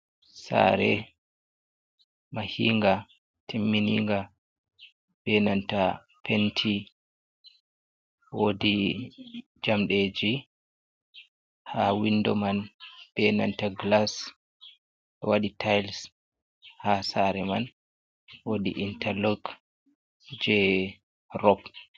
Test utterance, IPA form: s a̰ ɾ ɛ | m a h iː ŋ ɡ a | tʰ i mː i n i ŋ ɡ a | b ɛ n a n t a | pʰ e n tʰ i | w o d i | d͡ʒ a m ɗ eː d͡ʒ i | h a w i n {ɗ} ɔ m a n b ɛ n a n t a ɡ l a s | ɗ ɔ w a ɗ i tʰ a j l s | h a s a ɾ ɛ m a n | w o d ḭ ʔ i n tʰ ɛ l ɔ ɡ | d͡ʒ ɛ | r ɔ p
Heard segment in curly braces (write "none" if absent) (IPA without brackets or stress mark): d